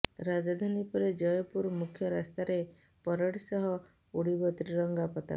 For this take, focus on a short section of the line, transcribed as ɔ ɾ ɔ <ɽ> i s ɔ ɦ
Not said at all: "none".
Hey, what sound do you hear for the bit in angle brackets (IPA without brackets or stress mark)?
ɽ